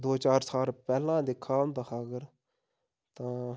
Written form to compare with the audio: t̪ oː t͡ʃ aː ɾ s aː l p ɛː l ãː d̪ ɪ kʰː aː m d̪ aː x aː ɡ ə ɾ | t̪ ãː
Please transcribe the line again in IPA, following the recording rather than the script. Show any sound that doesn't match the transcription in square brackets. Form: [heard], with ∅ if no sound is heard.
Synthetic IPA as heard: [d̪] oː t͡ʃ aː ɾ s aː l p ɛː l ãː d̪ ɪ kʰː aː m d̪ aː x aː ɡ ə ɾ | t̪ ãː